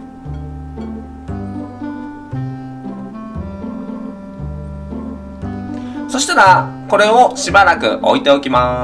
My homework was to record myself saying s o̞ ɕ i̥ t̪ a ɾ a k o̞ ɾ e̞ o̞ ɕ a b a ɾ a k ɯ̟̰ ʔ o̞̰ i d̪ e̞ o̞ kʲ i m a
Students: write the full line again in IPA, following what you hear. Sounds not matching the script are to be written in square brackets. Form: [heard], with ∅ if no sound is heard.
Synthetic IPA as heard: s o̞ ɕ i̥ t̪ a ɾ a k o̞ ɾ e̞ o̞ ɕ [i] b a ɾ a k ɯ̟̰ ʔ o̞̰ i [t̪] e̞ o̞ kʲ i m a